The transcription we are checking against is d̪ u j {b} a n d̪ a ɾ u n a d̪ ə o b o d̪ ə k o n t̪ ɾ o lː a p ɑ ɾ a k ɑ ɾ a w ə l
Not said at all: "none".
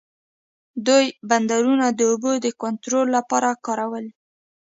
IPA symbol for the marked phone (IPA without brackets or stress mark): b